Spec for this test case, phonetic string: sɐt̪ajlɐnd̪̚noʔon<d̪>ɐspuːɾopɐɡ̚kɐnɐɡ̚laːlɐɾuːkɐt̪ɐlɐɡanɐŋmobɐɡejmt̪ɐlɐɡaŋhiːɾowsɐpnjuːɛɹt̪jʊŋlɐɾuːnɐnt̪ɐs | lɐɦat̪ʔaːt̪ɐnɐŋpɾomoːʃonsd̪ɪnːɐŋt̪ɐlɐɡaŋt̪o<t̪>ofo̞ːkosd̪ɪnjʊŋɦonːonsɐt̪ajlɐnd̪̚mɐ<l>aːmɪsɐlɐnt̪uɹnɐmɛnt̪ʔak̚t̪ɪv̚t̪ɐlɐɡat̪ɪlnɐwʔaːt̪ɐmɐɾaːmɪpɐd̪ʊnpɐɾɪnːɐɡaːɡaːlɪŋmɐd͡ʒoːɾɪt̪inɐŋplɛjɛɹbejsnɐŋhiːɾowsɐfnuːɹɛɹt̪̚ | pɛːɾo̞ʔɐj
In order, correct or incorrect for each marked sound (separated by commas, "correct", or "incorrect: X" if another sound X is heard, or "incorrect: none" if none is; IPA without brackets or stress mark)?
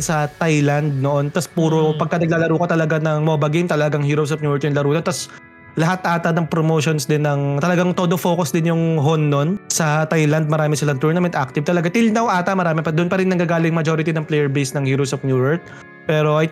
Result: incorrect: t̪, incorrect: d̪, incorrect: ɾ